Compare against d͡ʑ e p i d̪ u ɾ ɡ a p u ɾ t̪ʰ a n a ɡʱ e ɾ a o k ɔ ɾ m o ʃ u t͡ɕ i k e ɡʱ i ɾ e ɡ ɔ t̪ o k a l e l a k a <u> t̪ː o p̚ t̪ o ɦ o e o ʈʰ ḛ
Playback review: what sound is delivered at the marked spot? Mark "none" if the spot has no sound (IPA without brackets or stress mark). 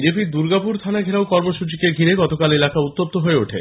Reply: u